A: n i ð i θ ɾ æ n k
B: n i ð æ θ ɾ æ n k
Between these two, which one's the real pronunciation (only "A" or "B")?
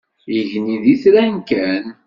A